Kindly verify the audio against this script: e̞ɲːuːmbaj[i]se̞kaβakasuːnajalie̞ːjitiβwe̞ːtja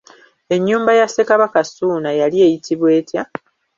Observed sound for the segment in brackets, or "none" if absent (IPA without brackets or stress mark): a